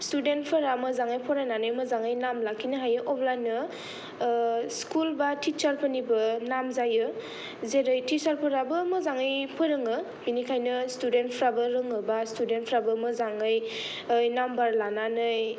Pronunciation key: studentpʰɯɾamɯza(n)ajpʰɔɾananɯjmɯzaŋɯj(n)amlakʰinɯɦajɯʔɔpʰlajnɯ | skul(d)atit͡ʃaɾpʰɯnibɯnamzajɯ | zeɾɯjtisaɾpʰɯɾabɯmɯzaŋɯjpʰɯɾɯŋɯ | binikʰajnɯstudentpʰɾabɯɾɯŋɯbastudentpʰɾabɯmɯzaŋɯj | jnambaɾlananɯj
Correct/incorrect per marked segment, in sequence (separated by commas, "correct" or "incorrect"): incorrect, correct, incorrect